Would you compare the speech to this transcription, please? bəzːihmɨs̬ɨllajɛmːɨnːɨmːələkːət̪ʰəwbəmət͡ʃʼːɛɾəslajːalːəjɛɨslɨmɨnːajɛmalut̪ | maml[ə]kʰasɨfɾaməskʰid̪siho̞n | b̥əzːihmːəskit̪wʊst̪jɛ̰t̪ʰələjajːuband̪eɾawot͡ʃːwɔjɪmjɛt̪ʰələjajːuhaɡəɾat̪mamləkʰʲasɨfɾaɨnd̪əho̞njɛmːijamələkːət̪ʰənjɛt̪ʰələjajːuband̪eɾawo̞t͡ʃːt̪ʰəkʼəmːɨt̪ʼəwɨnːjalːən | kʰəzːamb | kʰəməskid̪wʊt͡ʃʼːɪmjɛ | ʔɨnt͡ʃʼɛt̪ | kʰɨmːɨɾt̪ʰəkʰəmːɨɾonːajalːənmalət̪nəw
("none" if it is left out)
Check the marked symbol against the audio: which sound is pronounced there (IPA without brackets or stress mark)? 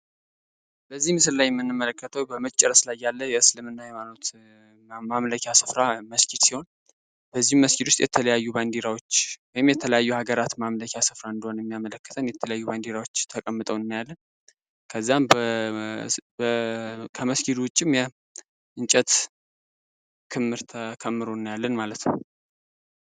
ə